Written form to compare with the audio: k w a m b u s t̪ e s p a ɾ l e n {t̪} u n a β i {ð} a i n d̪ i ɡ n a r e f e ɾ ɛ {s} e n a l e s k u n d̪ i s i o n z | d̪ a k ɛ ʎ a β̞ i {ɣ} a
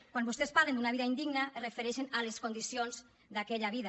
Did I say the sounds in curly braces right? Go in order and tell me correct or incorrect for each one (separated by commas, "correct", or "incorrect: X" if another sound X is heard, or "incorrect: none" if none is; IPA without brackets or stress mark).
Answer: incorrect: d̪, correct, incorrect: ʃ, incorrect: ð